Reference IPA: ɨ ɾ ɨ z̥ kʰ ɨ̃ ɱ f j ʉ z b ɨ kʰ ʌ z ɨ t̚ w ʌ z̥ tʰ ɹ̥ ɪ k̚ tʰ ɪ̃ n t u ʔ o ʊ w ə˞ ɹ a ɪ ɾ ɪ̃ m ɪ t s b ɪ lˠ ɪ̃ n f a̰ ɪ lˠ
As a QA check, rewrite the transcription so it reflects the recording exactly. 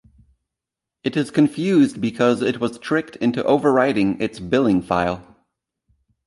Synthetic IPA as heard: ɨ ɾ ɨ z̥ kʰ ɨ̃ ɱ f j ʉ z b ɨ kʰ ʌ z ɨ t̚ w ʌ z̥ tʰ ɹ̥ ɪ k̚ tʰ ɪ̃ n t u ʔ o ʊ v ə˞ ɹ a ɪ ɾ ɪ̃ ŋ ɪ t s b ɪ lˠ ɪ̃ ŋ f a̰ ɪ lˠ